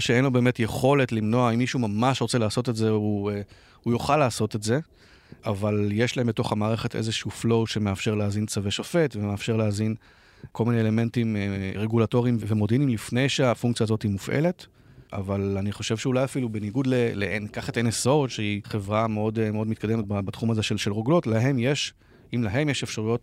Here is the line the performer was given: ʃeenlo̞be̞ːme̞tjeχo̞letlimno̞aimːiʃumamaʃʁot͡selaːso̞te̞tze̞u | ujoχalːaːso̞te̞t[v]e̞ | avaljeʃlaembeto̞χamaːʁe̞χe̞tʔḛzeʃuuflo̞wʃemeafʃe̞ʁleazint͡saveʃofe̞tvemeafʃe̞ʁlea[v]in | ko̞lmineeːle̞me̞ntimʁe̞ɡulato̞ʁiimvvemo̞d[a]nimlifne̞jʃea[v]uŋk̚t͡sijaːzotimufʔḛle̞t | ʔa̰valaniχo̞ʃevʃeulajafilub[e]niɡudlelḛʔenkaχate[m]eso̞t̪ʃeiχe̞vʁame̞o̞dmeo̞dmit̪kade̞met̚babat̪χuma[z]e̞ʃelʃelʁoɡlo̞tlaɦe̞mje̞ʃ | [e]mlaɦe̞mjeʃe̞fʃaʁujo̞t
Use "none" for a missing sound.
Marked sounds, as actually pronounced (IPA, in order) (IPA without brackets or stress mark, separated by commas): z, z, i, f, e, n, z, i